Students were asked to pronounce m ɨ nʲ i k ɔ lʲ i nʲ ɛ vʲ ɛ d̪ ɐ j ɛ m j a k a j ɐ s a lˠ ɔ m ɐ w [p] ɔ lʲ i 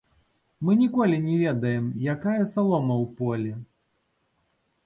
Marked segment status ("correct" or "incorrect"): correct